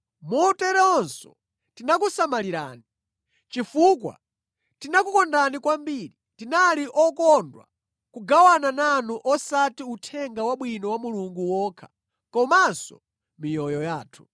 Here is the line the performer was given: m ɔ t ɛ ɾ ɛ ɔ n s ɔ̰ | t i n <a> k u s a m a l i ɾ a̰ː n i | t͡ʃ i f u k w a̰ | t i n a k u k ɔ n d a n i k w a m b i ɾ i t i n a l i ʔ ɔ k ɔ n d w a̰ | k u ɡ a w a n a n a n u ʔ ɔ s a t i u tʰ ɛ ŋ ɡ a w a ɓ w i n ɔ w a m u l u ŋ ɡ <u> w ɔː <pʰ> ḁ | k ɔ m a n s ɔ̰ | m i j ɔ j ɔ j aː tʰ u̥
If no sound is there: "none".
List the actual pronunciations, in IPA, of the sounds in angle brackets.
a, u, kʰ

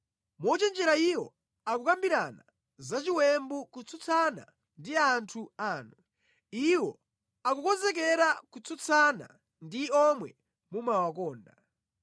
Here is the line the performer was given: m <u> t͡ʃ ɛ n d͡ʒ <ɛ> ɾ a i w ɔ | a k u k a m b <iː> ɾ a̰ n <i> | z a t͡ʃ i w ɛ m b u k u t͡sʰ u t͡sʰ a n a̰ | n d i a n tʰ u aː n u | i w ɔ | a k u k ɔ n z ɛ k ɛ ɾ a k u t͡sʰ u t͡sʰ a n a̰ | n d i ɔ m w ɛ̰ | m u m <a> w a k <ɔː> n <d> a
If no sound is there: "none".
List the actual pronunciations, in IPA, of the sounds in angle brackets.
ɔ, ɛ, i, a, a, ɔː, d

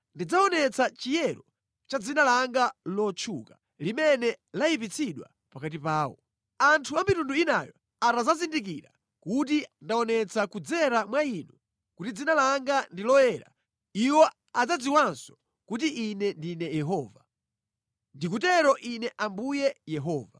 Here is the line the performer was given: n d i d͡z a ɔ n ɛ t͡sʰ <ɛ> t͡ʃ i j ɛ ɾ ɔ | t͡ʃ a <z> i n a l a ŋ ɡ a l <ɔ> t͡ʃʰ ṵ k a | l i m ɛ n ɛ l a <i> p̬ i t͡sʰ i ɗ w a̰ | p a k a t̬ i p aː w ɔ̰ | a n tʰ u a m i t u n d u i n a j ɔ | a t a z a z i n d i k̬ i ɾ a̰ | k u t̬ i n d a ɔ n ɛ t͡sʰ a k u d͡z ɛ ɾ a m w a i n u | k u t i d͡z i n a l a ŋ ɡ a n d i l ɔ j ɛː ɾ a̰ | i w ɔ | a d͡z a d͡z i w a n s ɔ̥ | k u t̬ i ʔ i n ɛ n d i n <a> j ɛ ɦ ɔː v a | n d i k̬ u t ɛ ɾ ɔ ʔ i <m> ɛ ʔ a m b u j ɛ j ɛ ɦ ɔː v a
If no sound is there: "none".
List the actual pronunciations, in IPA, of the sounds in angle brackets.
a, d͡z, ɔ, i, ɛ, n

